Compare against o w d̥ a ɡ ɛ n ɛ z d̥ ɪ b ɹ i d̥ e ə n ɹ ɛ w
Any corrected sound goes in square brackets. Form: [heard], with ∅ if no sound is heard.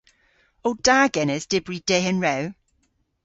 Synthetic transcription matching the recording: o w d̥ a ɡ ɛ n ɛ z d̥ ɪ b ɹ i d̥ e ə n ɹ ɛ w